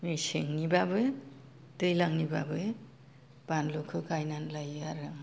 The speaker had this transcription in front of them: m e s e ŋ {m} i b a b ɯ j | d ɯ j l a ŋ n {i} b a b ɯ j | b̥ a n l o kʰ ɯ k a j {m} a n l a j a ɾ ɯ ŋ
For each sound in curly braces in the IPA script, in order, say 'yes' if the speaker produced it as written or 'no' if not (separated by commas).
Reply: no, yes, no